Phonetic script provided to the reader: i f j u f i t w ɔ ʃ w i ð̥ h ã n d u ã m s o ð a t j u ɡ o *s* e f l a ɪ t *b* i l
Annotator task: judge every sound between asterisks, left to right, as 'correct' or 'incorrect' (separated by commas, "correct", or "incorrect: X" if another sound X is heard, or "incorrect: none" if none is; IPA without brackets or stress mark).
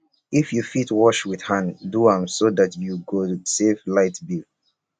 correct, correct